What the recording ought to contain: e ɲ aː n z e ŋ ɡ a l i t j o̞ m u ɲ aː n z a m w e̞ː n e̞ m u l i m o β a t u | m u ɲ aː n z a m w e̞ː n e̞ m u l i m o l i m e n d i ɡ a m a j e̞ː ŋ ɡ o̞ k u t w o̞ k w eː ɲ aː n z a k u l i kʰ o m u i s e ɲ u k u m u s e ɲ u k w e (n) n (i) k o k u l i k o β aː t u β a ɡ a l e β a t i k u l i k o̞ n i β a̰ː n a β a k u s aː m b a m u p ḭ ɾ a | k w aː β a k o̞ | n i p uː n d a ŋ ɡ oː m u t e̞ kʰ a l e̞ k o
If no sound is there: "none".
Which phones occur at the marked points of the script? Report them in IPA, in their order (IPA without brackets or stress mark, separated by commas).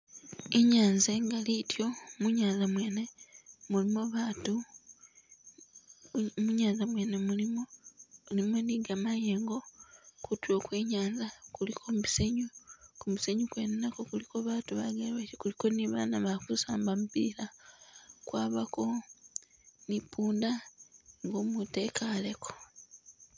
n, a